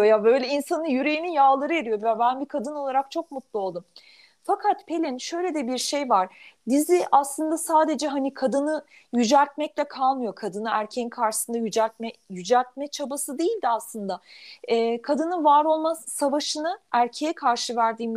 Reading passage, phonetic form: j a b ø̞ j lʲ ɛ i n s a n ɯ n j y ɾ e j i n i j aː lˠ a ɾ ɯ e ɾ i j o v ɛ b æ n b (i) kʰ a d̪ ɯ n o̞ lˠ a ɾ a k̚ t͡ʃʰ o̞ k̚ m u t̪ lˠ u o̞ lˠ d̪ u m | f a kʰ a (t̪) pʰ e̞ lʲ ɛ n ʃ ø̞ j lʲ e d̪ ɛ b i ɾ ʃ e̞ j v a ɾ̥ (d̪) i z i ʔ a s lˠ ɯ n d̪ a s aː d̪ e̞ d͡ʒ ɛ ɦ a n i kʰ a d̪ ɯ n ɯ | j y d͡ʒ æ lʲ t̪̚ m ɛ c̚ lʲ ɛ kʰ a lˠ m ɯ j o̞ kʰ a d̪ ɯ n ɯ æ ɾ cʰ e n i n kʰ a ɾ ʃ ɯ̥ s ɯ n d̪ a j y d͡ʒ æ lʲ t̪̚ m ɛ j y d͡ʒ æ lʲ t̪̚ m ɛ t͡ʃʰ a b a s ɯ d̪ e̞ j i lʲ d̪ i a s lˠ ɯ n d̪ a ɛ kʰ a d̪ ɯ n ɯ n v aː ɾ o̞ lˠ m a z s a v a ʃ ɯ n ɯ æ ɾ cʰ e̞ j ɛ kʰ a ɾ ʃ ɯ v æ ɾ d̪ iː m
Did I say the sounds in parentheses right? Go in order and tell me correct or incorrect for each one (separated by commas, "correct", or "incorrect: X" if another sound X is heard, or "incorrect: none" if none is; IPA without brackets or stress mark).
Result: correct, correct, correct